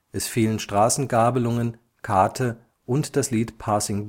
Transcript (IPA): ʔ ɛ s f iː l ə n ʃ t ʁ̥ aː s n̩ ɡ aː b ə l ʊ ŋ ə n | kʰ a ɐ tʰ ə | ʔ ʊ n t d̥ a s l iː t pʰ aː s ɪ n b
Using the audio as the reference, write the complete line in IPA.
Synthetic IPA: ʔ ɛ s f iː l ə n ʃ t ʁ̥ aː s n̩ ɡ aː b ə l ʊ ŋ ə n | kʰ a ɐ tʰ ə | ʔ ʊ n t d̥ a s l iː t pʰ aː s ɪ ŋ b